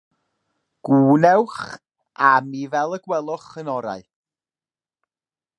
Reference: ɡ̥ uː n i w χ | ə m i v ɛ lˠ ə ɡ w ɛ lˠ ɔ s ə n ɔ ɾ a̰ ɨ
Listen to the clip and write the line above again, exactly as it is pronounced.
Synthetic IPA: ɡ̥ uː n ɛ w χ | a m i v ɛ lˠ ə ɡ w ɛ lˠ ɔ χ ə n ɔ ɾ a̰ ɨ

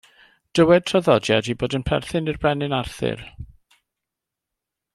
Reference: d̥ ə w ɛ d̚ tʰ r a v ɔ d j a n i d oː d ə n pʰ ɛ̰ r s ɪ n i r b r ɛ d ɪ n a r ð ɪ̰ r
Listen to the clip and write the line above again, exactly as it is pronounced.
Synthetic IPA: d̥ ə w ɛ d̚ tʰ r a ð ɔ d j a d i b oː d ə n pʰ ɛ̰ r θ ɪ n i r b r ɛ n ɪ n a r θ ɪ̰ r

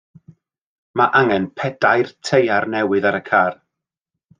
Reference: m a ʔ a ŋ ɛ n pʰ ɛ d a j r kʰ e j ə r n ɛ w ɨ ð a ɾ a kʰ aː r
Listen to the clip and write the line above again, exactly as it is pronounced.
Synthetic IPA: m a ʔ a ŋ ɛ n pʰ ɛ d a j r tʰ e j a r n ɛ w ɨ ð a ɾ ə kʰ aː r

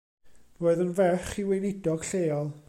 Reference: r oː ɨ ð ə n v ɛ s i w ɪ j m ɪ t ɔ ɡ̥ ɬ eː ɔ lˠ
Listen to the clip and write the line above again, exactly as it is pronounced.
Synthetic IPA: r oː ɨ ð ə n v ɛ χ i w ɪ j n ɪ d ɔ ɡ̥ ɬ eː ɔ lˠ

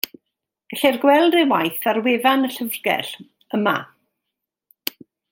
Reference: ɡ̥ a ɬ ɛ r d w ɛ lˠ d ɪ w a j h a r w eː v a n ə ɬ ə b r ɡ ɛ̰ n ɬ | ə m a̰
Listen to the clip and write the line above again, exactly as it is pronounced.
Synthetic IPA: ɡ̥ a ɬ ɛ r ɡ w ɛ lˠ d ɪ w a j θ a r w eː v a n ə ɬ ə v r ɡ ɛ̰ ɬ | ə m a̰

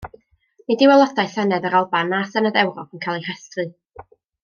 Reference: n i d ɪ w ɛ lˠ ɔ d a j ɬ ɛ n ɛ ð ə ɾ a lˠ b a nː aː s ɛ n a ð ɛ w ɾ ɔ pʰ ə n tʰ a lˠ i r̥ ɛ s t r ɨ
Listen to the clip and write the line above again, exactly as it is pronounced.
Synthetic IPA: n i d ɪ w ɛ lˠ ɔ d a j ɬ ɛ n ɛ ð ə ɾ a lˠ b a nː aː s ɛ n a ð ɛ w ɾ ɔ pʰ ə n kʰ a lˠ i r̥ ɛ s t r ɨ

